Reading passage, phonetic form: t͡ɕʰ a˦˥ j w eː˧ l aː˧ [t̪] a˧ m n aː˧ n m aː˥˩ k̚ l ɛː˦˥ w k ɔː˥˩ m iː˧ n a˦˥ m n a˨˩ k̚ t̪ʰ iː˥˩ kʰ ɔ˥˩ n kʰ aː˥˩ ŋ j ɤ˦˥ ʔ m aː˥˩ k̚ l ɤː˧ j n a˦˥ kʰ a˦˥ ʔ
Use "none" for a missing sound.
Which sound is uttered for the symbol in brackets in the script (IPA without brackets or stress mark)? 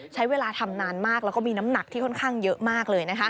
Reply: t̪ʰ